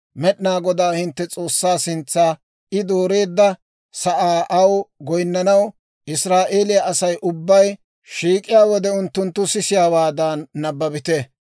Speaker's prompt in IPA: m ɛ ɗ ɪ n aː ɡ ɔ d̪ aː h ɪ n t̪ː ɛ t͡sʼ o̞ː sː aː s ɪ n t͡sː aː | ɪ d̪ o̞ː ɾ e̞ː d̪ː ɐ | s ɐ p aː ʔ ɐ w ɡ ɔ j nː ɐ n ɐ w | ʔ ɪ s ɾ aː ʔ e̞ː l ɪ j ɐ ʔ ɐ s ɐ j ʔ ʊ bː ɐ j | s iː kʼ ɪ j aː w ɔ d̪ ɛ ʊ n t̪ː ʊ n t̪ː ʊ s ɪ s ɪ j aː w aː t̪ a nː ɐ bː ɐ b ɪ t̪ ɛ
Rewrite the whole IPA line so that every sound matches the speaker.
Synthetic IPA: m ɛ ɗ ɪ n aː ɡ ɔ d̪ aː h ɪ n t̪ː ɛ t͡sʼ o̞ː sː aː s ɪ n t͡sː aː | ɪ d̪ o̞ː ɾ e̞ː d̪ː ɐ | s ɐ ʔ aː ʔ ɐ w ɡ ɔ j nː ɐ n ɐ w | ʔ ɪ s ɾ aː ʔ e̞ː l ɪ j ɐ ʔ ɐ s ɐ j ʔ ʊ bː ɐ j | ʃ iː kʼ ɪ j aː w ɔ d̪ ɛ ʊ n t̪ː ʊ n t̪ː ʊ s ɪ s ɪ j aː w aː d̪ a nː ɐ bː ɐ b ɪ t̪ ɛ